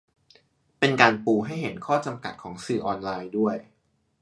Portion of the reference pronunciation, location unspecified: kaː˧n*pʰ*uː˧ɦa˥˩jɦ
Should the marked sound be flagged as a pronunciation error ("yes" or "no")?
yes